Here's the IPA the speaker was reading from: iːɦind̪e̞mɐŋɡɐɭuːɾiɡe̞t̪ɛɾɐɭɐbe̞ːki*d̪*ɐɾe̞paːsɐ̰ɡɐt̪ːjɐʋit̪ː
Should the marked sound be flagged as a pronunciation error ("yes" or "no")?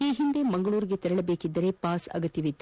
yes